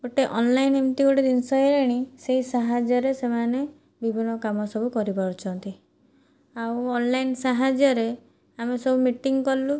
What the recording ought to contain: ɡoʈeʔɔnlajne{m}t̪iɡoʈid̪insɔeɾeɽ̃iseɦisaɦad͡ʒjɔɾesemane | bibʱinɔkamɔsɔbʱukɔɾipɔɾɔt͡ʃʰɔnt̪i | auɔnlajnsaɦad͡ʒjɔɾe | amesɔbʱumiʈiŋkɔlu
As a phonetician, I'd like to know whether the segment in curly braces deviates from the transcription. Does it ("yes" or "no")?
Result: no